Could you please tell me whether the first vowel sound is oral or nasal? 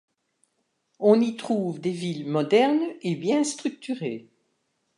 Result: nasal